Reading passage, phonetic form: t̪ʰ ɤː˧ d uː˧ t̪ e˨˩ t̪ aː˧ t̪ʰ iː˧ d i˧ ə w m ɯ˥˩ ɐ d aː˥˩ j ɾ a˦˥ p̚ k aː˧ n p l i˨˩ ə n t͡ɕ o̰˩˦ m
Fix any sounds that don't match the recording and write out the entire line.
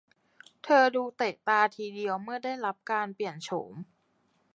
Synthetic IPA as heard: t̪ʰ ɤː˧ d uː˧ t̪ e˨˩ t̪ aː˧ t̪ʰ iː˧ d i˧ ə w m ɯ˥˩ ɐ d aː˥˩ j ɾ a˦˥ p̚ k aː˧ n p l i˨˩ ə n t͡ɕʰ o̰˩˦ m